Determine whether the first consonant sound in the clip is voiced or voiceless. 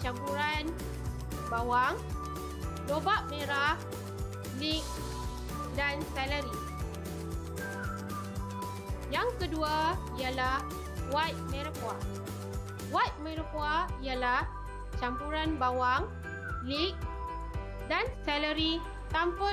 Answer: voiceless